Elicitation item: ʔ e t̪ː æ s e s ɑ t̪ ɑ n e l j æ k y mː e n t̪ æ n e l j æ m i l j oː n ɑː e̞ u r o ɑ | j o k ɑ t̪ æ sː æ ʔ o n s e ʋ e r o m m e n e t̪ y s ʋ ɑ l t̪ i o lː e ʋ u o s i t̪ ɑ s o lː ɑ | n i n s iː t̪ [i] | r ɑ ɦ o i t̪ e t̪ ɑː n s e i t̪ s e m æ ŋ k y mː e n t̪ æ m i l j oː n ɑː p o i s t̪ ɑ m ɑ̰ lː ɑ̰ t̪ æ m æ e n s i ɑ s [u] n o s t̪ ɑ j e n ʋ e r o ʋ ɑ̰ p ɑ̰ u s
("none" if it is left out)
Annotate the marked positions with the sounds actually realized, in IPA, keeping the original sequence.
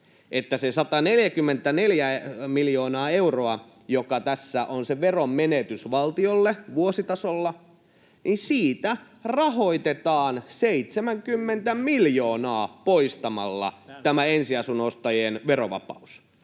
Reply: æ, u

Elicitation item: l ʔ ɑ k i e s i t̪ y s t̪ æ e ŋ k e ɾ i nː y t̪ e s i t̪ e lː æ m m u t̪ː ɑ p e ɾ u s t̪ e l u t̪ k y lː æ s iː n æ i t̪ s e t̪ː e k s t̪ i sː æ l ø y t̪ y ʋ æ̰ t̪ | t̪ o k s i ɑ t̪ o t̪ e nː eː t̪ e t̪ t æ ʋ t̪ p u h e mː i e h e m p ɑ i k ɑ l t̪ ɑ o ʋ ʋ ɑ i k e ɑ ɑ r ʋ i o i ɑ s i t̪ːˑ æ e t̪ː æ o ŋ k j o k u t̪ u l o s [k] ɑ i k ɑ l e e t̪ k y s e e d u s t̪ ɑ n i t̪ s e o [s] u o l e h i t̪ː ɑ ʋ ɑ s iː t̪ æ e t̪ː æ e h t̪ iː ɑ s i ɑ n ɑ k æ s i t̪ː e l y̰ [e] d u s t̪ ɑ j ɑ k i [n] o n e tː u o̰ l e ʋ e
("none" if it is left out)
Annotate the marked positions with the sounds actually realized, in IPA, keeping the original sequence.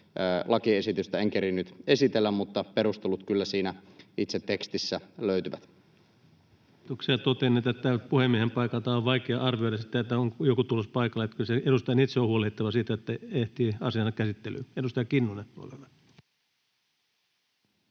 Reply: p, h, e, nː

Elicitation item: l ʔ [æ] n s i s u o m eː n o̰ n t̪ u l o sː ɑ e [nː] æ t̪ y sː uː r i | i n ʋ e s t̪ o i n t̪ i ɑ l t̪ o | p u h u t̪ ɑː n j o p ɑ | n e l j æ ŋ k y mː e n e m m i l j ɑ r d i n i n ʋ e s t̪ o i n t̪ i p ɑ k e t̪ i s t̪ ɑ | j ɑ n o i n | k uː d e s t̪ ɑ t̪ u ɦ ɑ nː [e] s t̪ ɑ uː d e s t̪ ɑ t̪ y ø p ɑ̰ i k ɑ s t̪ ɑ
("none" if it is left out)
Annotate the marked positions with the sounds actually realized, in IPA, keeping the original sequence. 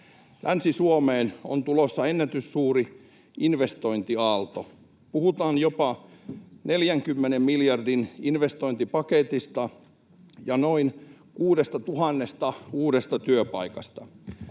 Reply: æ, nː, e

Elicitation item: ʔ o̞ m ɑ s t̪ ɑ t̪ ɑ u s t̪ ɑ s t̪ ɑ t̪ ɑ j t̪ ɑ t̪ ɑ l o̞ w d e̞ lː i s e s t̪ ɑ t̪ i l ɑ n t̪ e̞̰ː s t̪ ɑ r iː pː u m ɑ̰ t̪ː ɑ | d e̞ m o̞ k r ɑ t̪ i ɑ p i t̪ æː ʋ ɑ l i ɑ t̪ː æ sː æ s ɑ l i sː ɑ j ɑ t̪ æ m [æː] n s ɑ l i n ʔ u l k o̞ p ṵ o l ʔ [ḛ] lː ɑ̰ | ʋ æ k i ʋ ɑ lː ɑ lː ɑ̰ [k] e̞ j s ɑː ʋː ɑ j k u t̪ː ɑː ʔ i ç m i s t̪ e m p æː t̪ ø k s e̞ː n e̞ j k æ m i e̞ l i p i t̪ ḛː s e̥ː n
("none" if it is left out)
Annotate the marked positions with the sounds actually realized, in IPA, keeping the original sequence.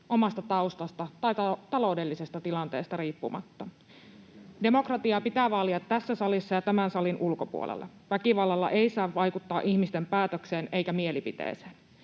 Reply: æ, ḛ, ʔ

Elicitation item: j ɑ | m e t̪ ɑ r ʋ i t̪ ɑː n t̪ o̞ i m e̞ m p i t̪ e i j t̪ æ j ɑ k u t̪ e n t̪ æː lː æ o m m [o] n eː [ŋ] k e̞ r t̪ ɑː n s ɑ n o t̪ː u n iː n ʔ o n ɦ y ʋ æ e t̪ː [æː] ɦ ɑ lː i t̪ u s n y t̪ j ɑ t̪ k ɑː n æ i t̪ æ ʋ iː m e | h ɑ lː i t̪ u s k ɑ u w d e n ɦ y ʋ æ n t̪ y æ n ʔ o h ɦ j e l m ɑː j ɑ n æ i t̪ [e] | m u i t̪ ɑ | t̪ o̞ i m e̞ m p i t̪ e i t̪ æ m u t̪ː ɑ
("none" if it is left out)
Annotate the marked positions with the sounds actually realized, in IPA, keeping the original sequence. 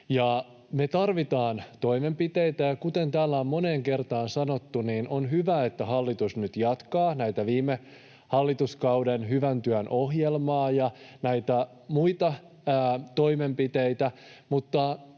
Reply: o, ŋ, æ, æ

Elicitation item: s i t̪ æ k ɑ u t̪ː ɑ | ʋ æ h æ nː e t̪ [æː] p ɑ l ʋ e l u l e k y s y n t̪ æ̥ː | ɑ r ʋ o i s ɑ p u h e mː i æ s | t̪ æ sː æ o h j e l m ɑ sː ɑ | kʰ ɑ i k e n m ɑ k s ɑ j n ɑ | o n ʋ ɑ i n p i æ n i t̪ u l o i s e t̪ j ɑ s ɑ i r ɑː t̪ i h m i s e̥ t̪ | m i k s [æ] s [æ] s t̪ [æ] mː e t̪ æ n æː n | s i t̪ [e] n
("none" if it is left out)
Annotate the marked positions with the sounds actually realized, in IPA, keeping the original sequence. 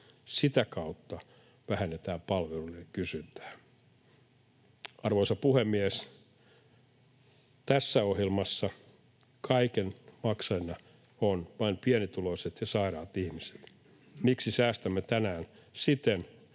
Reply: æː, i, æː, æ, e

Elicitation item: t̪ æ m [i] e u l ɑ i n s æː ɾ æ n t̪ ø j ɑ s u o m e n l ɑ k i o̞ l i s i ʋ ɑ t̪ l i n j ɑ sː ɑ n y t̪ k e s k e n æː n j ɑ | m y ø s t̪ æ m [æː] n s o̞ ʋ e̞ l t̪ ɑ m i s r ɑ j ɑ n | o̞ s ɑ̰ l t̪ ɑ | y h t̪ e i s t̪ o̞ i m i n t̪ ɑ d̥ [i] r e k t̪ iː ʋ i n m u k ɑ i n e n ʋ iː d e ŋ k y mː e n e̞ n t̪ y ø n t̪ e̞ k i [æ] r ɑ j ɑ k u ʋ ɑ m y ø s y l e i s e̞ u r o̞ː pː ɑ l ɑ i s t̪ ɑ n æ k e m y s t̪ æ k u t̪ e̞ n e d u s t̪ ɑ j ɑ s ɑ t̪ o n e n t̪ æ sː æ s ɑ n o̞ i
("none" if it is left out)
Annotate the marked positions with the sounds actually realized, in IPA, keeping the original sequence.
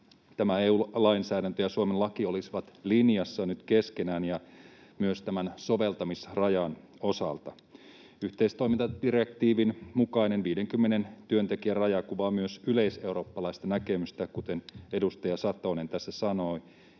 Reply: æ, æ, i, æ

